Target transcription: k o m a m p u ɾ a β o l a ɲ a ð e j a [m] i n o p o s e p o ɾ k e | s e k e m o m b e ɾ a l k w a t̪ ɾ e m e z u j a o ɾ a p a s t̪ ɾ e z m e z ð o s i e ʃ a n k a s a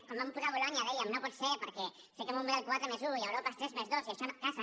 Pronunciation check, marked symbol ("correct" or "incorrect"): correct